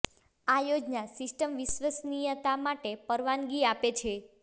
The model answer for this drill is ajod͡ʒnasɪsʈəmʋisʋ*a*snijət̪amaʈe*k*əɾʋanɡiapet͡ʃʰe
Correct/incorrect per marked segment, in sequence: incorrect: ə, incorrect: p

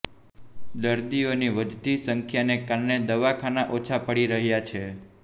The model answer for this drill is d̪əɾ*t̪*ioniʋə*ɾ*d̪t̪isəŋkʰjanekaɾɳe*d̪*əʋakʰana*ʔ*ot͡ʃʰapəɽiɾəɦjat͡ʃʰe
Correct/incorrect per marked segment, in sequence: incorrect: d̪, incorrect: none, correct, correct

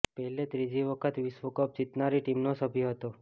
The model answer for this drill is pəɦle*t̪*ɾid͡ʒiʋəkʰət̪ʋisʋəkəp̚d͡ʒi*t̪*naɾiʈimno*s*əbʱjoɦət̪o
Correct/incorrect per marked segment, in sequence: correct, correct, correct

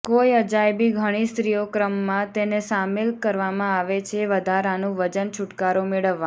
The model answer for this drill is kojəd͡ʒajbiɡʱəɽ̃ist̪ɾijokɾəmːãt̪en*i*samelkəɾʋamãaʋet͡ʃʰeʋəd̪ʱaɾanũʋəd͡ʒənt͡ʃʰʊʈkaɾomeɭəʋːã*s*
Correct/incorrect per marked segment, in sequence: incorrect: e, incorrect: none

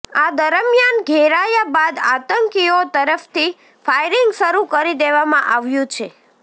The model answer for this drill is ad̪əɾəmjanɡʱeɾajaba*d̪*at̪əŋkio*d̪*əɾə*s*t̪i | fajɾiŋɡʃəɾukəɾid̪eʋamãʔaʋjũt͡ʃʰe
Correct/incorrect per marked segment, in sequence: correct, incorrect: t̪, incorrect: f

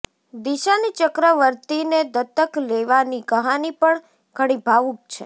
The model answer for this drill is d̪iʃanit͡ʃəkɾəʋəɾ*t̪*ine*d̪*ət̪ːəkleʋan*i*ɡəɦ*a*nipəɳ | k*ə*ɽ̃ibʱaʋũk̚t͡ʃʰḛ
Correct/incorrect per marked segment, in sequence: correct, correct, correct, correct, correct

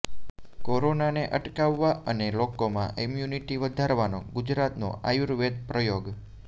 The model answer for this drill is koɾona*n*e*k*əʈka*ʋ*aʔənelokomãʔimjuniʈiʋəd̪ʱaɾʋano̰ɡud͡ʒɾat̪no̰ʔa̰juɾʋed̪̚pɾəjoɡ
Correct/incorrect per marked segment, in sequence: correct, incorrect: ʔ, incorrect: ʋː

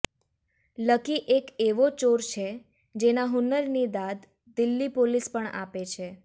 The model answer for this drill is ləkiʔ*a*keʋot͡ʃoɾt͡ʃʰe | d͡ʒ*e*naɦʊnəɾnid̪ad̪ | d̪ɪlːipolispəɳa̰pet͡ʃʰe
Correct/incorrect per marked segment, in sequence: incorrect: e, correct

